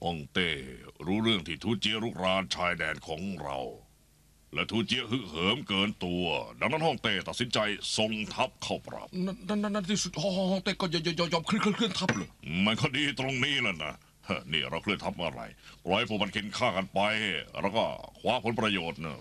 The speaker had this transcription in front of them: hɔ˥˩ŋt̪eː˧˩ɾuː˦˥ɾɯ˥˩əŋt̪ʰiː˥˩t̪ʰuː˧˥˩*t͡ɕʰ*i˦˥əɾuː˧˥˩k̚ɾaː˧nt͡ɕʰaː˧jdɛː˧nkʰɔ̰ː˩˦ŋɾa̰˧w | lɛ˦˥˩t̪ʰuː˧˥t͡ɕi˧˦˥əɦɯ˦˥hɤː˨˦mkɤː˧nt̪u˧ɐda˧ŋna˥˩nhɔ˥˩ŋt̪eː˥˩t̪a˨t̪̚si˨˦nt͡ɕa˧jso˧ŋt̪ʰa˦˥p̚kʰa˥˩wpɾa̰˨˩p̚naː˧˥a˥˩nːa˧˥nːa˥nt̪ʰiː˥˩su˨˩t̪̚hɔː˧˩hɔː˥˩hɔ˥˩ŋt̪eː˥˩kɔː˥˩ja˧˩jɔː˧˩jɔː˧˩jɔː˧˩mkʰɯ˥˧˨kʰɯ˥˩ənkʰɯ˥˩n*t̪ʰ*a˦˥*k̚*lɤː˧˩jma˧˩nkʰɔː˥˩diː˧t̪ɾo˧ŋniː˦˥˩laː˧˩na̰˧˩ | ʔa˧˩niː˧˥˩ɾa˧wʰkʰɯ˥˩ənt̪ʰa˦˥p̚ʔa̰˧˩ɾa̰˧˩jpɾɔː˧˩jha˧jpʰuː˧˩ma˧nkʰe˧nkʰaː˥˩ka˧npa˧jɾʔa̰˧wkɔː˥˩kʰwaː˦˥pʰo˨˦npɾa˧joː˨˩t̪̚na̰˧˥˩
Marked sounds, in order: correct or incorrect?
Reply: incorrect, correct, incorrect

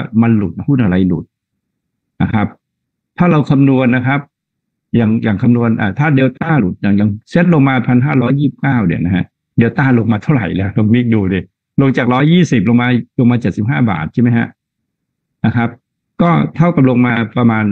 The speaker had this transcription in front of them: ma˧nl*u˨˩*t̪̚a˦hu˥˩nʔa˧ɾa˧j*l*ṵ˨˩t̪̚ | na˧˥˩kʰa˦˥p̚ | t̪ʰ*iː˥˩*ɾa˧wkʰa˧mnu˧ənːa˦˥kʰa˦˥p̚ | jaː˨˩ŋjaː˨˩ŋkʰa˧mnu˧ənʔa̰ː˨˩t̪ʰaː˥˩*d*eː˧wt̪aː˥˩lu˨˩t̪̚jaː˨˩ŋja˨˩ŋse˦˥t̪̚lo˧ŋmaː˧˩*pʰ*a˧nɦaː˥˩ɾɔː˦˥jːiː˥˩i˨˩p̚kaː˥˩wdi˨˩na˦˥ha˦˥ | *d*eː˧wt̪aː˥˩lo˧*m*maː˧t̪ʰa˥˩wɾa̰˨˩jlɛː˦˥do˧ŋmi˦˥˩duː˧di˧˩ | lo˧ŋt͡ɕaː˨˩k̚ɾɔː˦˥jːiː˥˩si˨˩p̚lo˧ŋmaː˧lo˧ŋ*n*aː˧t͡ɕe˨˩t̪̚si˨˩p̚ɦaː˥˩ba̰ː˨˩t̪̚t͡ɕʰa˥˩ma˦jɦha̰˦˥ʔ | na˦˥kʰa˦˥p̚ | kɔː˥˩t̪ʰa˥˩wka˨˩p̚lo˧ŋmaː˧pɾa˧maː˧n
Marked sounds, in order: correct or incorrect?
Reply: correct, correct, incorrect, correct, correct, correct, incorrect, incorrect

